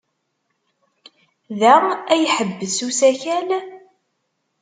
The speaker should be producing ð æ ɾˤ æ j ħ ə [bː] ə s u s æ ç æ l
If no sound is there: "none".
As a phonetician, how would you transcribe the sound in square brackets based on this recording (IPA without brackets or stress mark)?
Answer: bː